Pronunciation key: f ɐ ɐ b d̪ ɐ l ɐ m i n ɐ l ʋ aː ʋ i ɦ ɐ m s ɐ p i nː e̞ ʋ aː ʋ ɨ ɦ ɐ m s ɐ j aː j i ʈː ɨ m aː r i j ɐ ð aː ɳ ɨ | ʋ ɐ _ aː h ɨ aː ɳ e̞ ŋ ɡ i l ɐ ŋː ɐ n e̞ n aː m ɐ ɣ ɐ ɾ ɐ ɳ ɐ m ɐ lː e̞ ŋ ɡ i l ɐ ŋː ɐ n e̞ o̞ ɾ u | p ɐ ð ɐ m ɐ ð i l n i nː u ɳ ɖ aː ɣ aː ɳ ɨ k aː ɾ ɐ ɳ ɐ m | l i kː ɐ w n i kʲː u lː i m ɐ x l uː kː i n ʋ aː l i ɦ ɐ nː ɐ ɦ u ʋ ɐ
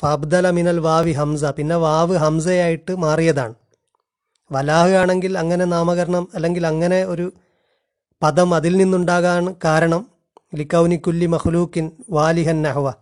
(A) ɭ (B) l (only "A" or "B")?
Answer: B